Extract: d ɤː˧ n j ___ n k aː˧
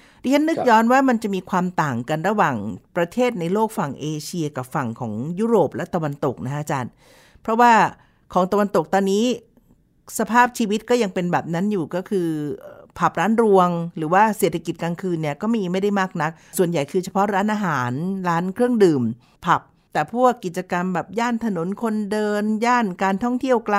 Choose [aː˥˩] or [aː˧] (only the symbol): aː˥˩